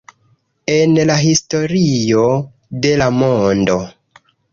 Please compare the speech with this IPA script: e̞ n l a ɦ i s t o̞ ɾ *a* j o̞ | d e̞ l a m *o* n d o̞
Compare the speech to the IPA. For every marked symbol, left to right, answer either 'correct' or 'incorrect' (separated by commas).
incorrect, correct